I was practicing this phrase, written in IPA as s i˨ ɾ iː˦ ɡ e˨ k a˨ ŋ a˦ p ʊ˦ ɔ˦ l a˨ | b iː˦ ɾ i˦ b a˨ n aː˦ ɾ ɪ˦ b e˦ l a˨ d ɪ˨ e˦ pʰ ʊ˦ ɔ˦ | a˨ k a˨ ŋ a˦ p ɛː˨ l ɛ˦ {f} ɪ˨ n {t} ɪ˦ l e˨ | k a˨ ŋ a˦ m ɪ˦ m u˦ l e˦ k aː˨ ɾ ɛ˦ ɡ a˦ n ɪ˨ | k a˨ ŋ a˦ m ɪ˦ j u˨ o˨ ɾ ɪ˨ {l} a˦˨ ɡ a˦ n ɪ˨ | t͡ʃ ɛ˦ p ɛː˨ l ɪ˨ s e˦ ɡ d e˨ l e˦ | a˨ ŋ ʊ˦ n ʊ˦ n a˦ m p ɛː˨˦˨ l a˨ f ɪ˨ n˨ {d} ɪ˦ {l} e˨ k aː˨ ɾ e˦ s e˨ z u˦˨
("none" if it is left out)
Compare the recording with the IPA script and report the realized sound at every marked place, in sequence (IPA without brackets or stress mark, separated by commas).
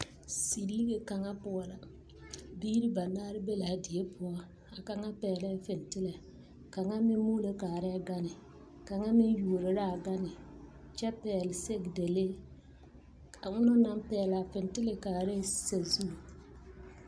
f, t, ɾ, t, l